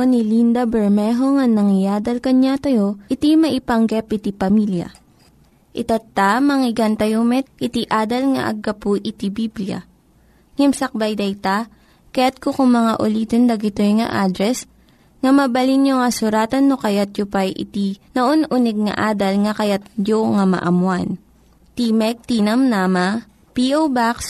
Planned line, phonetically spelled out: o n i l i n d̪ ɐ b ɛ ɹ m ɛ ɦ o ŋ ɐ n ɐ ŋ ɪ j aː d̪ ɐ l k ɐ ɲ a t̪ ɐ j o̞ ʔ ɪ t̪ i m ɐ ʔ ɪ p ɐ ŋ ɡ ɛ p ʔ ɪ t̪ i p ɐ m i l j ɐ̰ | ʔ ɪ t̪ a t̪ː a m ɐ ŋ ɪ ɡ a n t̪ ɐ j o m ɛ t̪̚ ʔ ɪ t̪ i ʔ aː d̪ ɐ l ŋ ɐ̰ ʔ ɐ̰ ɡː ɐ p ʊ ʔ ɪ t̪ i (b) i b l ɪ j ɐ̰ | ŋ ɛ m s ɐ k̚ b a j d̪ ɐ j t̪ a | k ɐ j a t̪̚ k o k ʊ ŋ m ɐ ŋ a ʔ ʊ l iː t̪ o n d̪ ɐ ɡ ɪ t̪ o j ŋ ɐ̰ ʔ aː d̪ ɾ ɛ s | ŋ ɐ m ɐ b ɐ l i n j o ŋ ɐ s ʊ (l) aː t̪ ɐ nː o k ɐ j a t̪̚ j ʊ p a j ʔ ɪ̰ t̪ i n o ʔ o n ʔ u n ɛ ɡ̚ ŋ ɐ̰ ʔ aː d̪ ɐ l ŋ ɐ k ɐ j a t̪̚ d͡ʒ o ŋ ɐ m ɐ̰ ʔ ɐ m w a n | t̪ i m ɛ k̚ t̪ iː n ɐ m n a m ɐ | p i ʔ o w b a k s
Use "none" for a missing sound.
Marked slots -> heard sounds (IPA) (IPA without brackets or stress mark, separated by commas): b, ɾ